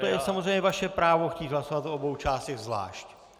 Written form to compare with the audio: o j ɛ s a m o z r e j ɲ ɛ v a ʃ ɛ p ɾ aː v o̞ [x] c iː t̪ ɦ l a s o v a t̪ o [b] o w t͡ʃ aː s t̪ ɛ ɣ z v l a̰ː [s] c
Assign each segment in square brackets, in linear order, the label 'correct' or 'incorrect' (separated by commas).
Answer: correct, correct, incorrect